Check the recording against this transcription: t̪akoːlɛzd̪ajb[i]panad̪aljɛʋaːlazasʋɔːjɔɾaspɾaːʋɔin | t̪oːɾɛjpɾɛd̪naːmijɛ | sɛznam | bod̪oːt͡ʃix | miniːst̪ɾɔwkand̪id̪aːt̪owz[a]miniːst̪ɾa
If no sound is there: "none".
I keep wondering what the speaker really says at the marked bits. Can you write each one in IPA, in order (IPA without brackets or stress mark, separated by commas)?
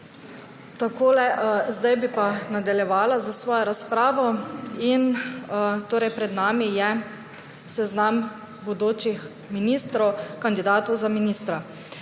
i, a